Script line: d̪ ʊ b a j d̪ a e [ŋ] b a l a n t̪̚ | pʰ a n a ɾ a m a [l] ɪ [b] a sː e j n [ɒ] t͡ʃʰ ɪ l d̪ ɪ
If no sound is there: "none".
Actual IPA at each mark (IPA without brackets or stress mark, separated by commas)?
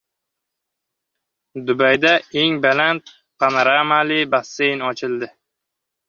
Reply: ŋ, l, b, ɒ